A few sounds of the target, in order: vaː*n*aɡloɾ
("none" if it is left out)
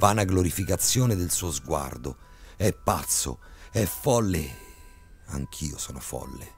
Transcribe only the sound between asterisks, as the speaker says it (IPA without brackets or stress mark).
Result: n